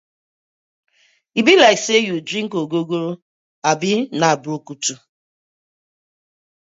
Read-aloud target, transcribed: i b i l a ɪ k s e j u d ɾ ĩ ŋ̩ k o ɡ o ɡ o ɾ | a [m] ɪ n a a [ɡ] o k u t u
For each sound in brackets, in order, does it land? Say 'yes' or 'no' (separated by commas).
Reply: no, no